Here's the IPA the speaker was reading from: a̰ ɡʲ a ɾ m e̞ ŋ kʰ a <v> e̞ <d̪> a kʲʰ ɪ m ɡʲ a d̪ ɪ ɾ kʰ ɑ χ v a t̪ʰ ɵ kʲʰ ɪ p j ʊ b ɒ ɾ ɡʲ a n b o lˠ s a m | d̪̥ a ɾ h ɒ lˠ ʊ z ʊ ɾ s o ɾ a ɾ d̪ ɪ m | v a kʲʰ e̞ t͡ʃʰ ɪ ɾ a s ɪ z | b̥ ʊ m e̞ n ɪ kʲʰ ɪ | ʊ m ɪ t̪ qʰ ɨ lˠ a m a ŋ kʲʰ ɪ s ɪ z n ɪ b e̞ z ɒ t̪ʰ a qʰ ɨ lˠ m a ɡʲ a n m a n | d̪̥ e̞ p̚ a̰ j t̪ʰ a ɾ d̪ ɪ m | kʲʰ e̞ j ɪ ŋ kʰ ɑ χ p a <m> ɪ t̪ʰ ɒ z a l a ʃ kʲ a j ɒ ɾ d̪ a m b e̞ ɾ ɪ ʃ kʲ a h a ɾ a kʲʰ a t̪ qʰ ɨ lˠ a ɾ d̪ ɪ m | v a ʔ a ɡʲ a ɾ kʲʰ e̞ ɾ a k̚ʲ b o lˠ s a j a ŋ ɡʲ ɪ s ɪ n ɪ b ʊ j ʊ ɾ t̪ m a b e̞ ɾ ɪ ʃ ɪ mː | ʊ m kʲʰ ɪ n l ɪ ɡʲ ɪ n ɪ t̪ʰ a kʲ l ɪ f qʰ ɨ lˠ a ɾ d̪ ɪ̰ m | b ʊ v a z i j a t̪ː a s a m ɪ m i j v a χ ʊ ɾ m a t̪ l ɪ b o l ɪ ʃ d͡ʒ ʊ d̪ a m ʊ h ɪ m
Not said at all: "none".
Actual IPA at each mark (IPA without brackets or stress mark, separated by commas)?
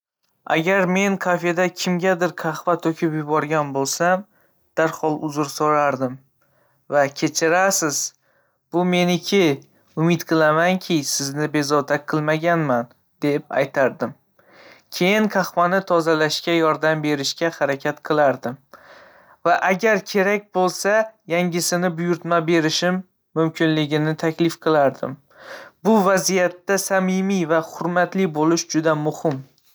f, d̪, n